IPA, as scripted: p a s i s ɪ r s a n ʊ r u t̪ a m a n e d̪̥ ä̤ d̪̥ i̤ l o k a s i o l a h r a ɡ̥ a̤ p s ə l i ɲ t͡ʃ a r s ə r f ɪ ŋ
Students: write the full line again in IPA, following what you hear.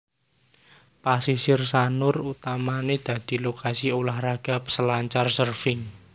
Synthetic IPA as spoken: p a s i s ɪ r s a n ʊ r u t̪ a m a n e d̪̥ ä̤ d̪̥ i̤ l o k a s i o l a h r a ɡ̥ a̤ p s ə l a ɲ t͡ʃ a r s ə r f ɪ ŋ